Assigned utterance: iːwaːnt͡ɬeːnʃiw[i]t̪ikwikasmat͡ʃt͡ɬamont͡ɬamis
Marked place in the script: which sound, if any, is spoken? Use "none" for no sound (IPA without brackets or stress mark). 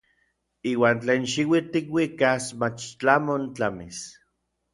i